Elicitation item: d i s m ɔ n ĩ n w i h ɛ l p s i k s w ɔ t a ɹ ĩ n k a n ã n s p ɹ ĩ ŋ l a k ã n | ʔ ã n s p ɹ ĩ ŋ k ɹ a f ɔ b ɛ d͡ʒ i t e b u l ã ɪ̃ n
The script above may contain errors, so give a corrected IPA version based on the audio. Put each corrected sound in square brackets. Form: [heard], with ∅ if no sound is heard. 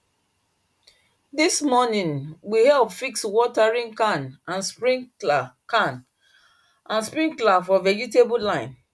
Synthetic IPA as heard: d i s m ɔ n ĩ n w i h ɛ l p [f] i k s w ɔ t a ɹ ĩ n k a n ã n s p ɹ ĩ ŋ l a k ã n | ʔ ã n s p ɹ ĩ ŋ k [l] a f ɔ [v] ɛ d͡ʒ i t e b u l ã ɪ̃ n